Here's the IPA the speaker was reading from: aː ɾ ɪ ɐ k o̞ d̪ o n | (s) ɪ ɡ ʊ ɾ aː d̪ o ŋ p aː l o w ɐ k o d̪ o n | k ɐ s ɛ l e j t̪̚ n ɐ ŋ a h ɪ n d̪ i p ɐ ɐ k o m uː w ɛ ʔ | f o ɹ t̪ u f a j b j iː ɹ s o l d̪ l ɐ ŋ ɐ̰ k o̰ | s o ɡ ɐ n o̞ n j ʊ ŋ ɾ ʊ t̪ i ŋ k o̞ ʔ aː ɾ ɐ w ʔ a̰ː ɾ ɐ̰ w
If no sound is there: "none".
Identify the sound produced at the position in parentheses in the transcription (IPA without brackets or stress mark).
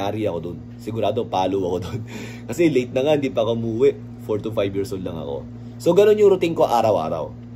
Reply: s